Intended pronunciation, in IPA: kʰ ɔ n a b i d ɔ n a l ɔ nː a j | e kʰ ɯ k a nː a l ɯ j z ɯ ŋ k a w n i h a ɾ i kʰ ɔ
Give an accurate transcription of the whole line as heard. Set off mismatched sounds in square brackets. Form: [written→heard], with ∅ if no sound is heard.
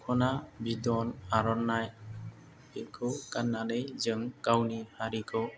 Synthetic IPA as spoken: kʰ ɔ n a b i d ɔ n a [l→ɾ] ɔ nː a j | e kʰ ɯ k a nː a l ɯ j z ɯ ŋ k a w n i h a ɾ i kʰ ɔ